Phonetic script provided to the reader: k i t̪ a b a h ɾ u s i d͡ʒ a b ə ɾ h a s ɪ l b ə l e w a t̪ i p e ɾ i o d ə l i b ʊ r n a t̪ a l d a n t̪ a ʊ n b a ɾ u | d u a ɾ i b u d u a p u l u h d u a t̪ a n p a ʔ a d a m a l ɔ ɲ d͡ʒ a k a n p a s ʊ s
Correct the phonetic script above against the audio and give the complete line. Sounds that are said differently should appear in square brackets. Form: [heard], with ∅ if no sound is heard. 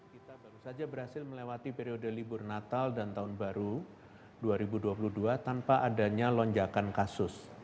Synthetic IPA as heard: k i t̪ a b a [∅] ɾ u s [a] d͡ʒ a b ə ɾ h a s ɪ l [m] ə l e w a t̪ i p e ɾ i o d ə l i b ʊ r n a t̪ a l d a n t̪ a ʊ n b a ɾ u | d u a ɾ i b u d u a p u l u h d u a t̪ a n p a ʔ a d a [ɲ] a l ɔ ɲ d͡ʒ a k a n [k] a s ʊ s

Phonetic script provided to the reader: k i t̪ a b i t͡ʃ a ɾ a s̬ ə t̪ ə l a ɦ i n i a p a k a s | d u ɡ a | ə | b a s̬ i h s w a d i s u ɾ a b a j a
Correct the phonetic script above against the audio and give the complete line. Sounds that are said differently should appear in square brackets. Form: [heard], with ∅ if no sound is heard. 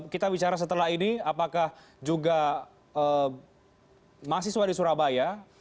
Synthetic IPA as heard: k i t̪ a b i t͡ʃ a ɾ a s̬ ə t̪ ə l a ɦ i n i a p a k a [h] | [d͡ʒ] u ɡ a | ə | [m] a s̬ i h s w a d i s u ɾ a b a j a

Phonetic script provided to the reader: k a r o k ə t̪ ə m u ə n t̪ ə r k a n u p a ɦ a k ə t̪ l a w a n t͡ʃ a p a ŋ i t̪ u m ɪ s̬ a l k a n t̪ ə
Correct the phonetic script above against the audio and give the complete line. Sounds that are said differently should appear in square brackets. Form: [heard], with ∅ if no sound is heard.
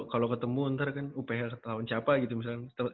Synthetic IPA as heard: k a [l] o k ə t̪ ə m u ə n t̪ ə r k a n u p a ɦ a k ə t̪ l a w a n t͡ʃ a p a [ɡ] i t̪ u m [i] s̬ a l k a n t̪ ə

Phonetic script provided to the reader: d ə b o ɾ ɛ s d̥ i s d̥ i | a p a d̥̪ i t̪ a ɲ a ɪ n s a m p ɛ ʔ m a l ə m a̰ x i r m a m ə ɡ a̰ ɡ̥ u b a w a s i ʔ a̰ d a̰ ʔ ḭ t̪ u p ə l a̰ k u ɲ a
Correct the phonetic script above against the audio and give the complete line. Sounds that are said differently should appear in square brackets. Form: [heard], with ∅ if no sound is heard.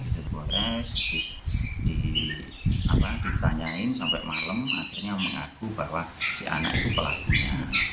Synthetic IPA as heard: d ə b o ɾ ɛ s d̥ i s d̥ i | a p a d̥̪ i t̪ a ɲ a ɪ n s a m p ɛ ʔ m a l ə m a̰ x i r [ɲ] a m ə [ŋ] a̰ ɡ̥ u b a w a s i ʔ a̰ [n] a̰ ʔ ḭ t̪ u p ə l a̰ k u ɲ a

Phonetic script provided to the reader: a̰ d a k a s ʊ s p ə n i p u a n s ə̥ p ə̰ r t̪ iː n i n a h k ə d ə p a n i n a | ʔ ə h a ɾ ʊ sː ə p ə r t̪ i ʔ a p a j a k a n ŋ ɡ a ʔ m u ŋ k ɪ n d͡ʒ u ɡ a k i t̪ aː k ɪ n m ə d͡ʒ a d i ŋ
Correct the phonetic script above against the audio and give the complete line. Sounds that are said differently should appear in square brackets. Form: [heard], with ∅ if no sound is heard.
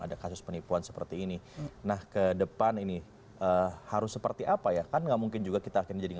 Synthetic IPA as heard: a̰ d a k a s ʊ s p ə n i p u a n s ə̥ p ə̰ r t̪ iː n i n a h k ə d ə p a n i n [i] | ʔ ə h a ɾ ʊ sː ə p ə r t̪ i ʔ a p a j a k a n ŋ ɡ a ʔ m u ŋ k ɪ n d͡ʒ u ɡ a k i t̪ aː k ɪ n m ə d͡ʒ a d i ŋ

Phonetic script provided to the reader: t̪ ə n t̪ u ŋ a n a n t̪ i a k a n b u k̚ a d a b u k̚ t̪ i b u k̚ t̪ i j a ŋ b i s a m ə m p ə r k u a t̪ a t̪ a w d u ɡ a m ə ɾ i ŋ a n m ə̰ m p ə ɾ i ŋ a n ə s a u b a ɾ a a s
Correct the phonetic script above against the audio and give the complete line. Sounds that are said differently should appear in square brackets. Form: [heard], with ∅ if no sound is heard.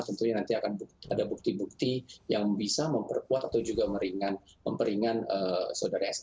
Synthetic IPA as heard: t̪ ə n t̪ u [ɲ] a n a n t̪ i a k a n b u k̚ a d a b u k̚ t̪ i b u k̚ t̪ i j a ŋ b i s a m ə m p ə r k u a t̪ a t̪ a w [d͡ʒ] u ɡ a m ə ɾ i ŋ a n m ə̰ m p ə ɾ i ŋ a n ə s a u [d] a ɾ a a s

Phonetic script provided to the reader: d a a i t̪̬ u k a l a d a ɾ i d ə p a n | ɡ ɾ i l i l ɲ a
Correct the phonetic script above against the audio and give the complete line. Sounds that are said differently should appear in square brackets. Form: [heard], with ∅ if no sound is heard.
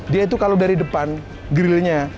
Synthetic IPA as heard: d [i] a i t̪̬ u k a l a d a ɾ i d ə p a n | ɡ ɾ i l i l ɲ a

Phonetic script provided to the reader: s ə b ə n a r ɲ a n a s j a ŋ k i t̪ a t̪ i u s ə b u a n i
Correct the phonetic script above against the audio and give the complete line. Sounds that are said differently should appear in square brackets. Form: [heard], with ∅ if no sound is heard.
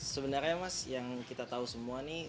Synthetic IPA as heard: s ə b ə n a r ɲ a [m] a s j a ŋ k i t̪ a t̪ [a] u s ə [m] u a n i

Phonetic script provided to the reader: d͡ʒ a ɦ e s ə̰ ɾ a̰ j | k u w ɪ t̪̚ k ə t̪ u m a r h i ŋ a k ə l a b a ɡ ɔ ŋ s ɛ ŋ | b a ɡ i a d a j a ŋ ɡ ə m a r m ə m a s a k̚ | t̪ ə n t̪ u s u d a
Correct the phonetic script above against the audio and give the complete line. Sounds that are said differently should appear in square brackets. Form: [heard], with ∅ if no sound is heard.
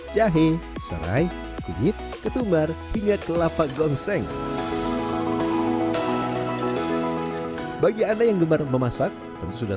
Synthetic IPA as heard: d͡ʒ a ɦ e s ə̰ ɾ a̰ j | k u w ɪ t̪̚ k ə t̪ u m a r h i ŋ a k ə l a [p] a ɡ ɔ ŋ s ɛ ŋ | b a ɡ i a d a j a ŋ ɡ ə m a r m ə m a s a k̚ | t̪ ə n t̪ u s u d a

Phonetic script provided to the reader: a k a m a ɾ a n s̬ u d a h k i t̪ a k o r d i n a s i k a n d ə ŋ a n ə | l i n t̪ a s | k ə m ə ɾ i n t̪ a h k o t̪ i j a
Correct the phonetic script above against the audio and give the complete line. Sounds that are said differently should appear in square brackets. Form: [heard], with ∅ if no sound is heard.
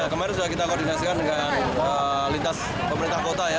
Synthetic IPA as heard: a k [ə] m a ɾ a n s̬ u d a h k i t̪ a k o r d i n a s i k a n d ə ŋ a n ə | l i n t̪ a s | [p] ə m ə ɾ i n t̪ a h k o t̪ [a] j a

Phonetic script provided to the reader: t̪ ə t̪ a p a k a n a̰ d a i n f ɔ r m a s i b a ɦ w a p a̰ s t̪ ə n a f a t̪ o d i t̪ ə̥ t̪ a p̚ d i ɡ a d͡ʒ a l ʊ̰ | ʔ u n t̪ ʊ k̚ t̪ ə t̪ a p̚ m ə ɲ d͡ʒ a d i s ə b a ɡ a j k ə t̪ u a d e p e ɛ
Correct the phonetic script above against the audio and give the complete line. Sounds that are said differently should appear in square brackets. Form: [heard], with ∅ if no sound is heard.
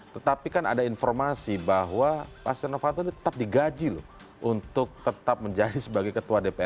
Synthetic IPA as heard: t̪ ə t̪ a p [i] k a n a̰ d a i n f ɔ r m a s i b a ɦ w a p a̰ s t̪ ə n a f a t̪ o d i t̪ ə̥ t̪ a p̚ d i ɡ a d͡ʒ [i] l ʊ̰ | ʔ u n t̪ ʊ k̚ t̪ ə t̪ a p̚ m ə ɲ d͡ʒ a d i s ə b a ɡ a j k ə t̪ u a d e p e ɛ

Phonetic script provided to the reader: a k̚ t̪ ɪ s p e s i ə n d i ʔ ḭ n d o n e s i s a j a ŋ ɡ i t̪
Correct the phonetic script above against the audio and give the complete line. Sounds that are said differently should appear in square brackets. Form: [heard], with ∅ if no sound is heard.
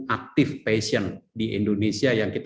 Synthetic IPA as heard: a k̚ t̪ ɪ [f] p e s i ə n d i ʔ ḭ n d o n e s i [∅] a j a ŋ [k] i t̪

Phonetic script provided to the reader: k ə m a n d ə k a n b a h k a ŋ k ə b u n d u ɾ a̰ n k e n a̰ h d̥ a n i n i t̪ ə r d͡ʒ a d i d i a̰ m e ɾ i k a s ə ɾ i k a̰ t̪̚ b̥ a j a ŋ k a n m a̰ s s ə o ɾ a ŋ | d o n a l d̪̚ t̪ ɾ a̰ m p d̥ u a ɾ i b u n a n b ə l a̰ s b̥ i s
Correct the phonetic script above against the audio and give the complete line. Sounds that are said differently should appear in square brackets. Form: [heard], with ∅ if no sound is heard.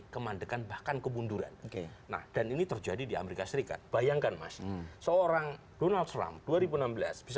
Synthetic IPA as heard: k ə m a n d ə k a n b a h k a [n] k ə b u n d u ɾ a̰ n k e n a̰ h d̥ a n i n i t̪ ə r d͡ʒ a d i d i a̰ m e ɾ i k a s ə ɾ i k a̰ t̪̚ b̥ a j a ŋ k a n m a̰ s s ə o ɾ a ŋ | d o n a l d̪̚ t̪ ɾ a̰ m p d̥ u a ɾ i b u n a [m] b ə l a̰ s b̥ i s

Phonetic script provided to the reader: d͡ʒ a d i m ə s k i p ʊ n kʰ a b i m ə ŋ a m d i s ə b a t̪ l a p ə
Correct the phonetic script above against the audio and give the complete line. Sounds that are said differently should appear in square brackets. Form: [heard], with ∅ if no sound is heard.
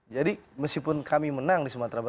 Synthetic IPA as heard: d͡ʒ a d i m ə s k i p ʊ n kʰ a [m] i m ə [n] a [ŋ] d i s ə [m] a t̪ [ɾ] a [b] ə

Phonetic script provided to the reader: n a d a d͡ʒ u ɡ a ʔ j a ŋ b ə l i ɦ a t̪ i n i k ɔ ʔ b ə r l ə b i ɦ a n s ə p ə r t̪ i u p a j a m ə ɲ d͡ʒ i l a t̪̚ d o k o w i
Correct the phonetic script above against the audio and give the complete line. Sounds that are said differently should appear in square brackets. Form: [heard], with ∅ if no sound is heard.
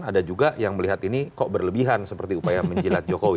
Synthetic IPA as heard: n a d a d͡ʒ u ɡ a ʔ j a ŋ [m] ə l i ɦ a t̪ i n i k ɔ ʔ b ə r l ə b i ɦ a n s ə p ə r t̪ i u p a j a m ə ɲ d͡ʒ i l a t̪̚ [d͡ʒ] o k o w i

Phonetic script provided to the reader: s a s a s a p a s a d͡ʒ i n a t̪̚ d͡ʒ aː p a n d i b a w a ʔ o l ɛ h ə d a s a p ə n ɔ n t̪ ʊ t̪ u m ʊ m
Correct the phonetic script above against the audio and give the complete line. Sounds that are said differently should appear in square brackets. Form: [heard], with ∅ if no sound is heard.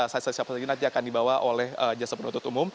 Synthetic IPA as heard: s a s a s a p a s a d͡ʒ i n a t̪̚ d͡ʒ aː [k] a n d i b a w a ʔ o l ɛ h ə [d͡ʒ] a s a p ə n [u] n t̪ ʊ t̪ u m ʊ m

